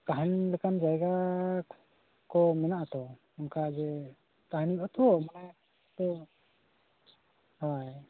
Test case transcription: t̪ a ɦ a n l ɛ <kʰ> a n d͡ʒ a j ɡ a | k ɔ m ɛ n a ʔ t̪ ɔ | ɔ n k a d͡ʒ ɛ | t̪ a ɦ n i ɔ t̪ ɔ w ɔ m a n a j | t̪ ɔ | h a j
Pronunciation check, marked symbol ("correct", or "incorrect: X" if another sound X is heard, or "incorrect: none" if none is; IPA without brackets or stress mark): incorrect: k